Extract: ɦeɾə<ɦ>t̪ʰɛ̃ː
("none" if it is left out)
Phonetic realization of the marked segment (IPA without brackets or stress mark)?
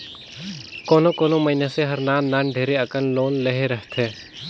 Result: ɦ